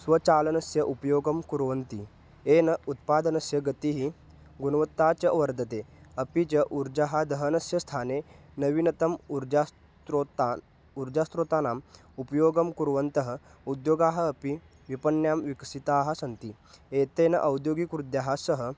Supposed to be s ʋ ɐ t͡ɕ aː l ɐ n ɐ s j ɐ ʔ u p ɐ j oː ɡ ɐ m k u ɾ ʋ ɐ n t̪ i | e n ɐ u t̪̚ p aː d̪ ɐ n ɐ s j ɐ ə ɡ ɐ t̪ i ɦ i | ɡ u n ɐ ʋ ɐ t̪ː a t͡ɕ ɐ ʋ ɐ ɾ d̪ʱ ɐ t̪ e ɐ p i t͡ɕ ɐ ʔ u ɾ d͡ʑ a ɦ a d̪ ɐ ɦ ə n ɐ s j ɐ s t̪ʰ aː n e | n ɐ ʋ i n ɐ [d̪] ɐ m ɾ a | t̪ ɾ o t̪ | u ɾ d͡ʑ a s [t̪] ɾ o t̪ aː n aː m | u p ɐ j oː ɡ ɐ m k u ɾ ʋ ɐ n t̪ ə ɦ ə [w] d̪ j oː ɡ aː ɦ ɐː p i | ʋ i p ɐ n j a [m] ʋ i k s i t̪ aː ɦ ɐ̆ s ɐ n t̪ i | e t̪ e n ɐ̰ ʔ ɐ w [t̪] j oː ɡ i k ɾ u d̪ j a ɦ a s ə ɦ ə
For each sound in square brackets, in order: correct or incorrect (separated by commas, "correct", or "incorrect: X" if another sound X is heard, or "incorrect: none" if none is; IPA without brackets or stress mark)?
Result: incorrect: t̪, correct, incorrect: u, correct, incorrect: d̪